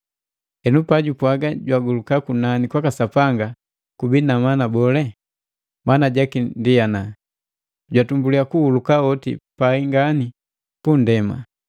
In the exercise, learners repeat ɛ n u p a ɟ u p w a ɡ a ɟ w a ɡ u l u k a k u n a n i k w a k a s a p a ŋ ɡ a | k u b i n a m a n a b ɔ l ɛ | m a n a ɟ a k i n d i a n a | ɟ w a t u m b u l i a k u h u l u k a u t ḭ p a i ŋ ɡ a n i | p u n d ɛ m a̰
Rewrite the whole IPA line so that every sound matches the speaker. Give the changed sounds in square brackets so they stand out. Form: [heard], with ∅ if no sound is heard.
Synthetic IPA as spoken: ɛ n u p a ɟ u p w a ɡ a ɟ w a ɡ u l u k a k u n a n i k w a k a s a p a ŋ ɡ a | k u b i n a m a n a b ɔ l ɛ | m a n a ɟ a k i n d i a n a | ɟ w a t u m b u l i a k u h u l u k a [ɔ] t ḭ p a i ŋ ɡ a n i | p u n d ɛ m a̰